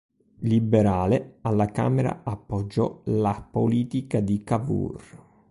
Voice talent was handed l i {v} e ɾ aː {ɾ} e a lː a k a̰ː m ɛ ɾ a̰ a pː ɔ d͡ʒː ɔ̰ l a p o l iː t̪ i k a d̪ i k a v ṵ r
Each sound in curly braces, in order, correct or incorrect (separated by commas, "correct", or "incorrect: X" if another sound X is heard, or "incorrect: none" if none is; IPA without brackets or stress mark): incorrect: b, incorrect: l